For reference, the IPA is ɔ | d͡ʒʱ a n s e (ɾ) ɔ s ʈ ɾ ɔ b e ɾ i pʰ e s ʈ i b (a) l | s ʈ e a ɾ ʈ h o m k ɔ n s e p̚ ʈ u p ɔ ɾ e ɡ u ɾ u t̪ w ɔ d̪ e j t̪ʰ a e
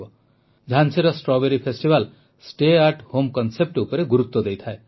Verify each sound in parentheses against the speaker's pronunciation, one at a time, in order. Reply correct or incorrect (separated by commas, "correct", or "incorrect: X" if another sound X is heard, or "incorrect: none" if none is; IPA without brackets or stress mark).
correct, correct